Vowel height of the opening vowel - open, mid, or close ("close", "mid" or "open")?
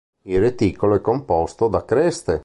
close